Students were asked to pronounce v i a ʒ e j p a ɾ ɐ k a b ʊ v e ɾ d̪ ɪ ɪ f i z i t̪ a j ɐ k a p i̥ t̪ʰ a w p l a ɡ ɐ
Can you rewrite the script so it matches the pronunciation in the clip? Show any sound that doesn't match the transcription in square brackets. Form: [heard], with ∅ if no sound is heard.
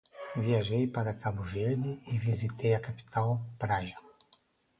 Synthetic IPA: v i a ʒ e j p a ɾ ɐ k a b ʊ v e ɾ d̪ ɪ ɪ [v] i z i t̪ [e] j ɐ k a p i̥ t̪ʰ a w p [ɾ] a ɡ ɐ